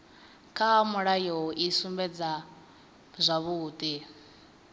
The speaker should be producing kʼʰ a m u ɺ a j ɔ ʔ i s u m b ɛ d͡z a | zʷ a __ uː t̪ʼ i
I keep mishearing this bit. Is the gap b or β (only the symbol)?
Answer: β